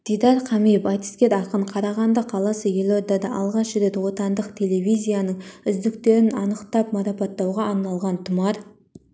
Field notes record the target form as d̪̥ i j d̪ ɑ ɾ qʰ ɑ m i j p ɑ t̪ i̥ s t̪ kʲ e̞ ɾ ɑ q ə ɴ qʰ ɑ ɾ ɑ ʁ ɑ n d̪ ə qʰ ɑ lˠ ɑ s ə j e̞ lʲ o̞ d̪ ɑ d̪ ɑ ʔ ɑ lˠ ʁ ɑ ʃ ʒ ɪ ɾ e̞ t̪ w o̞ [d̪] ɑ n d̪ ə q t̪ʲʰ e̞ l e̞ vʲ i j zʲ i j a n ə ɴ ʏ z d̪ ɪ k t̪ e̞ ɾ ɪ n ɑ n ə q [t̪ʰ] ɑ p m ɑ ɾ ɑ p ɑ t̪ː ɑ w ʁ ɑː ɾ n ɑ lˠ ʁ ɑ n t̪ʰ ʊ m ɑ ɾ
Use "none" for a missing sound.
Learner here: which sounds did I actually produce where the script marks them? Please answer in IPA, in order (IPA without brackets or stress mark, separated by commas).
t̪, t̪